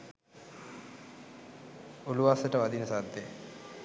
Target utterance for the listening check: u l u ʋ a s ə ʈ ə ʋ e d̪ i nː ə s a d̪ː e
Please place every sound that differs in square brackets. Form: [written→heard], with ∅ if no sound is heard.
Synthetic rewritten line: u l u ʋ a s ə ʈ ə ʋ [e→a] d̪ i [nː→n] ə s a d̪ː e

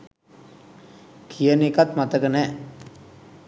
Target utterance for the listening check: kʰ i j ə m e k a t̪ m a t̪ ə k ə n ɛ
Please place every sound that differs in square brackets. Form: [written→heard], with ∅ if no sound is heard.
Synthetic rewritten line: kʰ i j ə [m→n] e k a t̪ m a t̪ ə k ə n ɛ

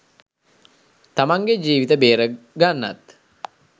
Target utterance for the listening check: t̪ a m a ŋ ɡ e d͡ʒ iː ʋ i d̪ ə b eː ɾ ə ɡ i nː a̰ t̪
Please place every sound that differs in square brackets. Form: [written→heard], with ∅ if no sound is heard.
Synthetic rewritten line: t̪ a m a ŋ ɡ e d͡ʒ iː ʋ i [d̪→t̪] ə b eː ɾ ə ɡ [i→a] nː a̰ t̪

